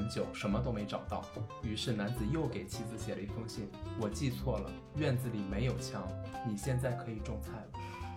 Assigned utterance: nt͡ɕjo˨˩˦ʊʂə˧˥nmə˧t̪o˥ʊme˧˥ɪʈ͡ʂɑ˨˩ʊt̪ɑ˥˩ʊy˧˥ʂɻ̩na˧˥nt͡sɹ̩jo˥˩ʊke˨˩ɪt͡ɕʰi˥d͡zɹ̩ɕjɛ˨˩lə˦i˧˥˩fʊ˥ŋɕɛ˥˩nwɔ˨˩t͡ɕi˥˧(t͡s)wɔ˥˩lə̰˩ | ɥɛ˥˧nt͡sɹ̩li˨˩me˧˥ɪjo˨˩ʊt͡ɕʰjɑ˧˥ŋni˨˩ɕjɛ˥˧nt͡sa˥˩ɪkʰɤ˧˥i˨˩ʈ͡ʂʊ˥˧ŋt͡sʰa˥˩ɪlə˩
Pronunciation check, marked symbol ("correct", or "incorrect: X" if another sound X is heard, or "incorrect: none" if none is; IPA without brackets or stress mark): incorrect: t͡sʰ